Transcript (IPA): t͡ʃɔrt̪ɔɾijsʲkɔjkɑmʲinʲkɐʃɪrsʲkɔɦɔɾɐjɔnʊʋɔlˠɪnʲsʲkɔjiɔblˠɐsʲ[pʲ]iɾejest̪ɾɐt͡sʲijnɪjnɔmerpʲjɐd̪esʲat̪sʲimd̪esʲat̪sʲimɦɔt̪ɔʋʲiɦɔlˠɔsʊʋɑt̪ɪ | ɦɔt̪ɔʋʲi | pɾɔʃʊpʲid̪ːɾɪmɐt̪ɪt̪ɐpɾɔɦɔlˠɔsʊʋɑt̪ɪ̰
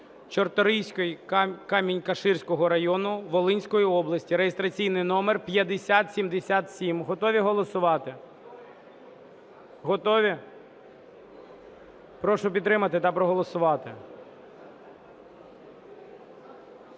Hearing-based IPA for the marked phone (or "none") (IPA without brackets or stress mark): tʲ